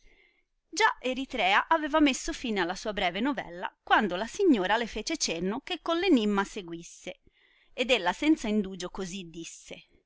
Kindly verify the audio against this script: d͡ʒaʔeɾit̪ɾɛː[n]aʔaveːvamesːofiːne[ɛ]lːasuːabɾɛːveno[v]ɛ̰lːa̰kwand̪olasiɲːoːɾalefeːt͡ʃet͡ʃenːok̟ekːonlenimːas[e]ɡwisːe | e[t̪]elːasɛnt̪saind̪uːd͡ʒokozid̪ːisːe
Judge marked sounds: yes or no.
no, no, yes, yes, no

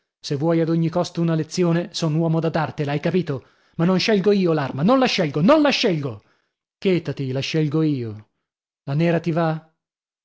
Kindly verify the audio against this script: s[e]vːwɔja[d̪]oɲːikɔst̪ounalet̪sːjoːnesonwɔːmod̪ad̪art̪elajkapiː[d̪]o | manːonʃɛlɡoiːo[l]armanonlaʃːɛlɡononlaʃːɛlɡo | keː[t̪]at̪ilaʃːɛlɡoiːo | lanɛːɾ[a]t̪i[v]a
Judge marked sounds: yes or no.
yes, yes, no, yes, yes, yes, yes

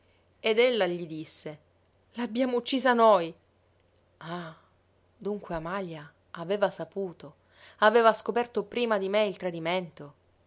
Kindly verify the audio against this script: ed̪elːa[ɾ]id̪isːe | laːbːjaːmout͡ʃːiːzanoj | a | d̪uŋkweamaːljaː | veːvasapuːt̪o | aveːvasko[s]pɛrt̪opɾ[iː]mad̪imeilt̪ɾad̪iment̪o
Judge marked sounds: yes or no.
no, no, yes

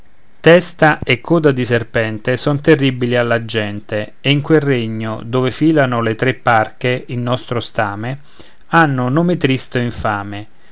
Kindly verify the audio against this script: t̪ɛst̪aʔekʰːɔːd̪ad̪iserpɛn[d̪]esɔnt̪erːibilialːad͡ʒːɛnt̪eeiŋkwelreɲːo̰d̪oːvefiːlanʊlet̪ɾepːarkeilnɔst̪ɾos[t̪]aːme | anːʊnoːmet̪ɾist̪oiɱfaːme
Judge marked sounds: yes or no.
no, yes

